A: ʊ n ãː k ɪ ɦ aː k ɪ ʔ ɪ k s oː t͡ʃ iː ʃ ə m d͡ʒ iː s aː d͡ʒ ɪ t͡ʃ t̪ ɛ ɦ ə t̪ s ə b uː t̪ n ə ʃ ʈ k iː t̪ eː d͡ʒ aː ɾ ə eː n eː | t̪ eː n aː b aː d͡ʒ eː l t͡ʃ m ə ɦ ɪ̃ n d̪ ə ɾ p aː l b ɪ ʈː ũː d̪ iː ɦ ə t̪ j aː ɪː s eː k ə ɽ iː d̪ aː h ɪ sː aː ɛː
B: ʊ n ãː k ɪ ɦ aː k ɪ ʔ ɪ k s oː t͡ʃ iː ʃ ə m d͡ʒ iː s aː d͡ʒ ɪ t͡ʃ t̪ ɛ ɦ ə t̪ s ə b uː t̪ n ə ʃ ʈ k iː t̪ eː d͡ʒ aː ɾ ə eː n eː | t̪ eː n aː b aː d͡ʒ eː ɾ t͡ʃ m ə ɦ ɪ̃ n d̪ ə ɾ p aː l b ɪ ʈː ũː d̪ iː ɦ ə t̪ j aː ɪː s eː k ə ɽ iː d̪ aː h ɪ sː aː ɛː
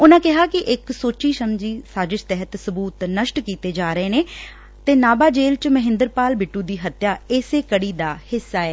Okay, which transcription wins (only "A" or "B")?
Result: A